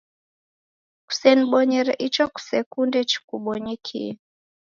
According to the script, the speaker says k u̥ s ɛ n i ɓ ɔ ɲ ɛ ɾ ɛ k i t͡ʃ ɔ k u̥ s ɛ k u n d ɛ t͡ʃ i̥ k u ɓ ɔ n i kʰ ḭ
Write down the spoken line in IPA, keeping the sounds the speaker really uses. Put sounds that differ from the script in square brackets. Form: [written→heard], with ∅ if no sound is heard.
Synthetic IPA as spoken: k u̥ s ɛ n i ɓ ɔ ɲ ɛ ɾ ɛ [k→ʔ] i t͡ʃ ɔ k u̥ s ɛ k u n d ɛ t͡ʃ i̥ k u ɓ ɔ [n→ɲ] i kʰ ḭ